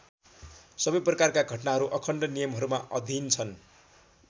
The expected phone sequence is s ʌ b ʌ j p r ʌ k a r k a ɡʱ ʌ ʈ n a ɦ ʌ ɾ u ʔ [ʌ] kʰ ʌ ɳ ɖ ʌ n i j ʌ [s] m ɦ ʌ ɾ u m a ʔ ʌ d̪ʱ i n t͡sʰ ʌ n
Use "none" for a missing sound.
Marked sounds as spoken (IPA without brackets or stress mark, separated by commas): ʌ, none